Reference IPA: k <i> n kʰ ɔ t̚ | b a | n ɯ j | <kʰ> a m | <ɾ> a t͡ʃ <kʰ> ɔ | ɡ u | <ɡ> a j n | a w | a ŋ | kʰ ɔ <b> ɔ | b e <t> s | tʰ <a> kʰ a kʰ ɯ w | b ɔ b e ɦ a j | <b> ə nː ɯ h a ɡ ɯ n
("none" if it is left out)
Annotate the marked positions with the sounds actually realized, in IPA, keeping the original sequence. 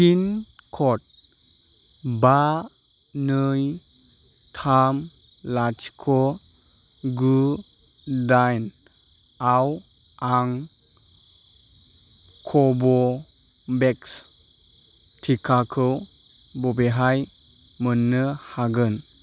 i, tʰ, l, kʰ, d, b, k, i, m

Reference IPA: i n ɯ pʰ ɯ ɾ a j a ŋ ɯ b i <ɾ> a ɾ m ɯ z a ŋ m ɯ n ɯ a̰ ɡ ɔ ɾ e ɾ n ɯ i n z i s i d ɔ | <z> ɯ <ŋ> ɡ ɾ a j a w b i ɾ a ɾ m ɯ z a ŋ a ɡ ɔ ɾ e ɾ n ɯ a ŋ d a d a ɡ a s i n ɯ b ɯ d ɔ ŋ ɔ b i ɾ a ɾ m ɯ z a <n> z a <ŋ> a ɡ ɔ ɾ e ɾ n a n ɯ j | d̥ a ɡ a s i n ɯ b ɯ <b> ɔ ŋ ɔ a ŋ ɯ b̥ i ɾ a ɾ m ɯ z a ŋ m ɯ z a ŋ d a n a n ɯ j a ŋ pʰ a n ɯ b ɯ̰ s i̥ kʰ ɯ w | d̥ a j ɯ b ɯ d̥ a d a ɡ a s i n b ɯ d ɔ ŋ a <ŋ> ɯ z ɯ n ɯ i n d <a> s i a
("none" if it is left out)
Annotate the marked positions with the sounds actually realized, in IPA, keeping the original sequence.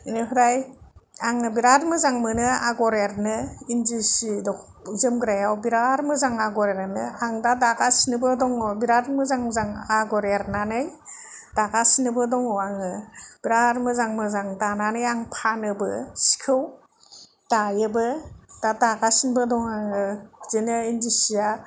ɾ, z, m, ŋ, ŋ, d, ŋ, i

